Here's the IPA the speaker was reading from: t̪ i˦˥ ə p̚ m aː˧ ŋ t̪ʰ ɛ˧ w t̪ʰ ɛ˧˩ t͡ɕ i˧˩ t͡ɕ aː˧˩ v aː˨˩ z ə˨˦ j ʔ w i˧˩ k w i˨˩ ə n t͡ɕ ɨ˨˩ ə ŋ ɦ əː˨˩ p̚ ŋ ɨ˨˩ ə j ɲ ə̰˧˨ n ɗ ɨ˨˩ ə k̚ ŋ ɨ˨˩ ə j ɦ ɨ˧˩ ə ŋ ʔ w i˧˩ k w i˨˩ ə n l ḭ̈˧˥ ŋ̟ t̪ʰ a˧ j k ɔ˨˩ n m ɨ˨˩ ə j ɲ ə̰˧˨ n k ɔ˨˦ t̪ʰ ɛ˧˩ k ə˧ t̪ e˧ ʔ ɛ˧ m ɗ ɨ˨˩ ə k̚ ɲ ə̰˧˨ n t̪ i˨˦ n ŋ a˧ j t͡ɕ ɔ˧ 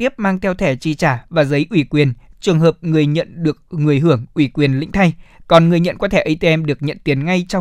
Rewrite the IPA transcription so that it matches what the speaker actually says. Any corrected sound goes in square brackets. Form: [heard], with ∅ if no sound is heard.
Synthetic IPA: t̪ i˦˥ ə p̚ m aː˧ ŋ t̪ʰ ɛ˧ w t̪ʰ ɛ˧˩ t͡ɕ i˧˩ t͡ɕ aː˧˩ v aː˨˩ z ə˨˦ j ʔ w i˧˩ k w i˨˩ ə n t͡ɕ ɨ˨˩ ə ŋ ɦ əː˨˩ p̚ ŋ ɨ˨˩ ə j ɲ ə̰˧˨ n ɗ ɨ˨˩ ə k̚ ŋ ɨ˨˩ ə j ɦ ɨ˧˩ ə ŋ ʔ w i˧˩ k w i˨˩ ə n l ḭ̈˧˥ ŋ̟ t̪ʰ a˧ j k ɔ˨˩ n [ŋ] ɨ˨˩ ə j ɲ ə̰˧˨ n k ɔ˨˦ t̪ʰ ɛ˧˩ [ʔ] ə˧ t̪ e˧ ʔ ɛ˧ m ɗ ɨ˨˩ ə k̚ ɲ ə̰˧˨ n t̪ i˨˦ n ŋ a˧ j t͡ɕ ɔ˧